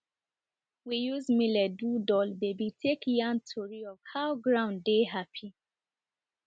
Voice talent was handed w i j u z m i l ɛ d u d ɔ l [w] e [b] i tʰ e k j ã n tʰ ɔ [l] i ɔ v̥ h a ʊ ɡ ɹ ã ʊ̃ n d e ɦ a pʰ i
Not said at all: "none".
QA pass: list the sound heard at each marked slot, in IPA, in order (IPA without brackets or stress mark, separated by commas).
b, b, ɹ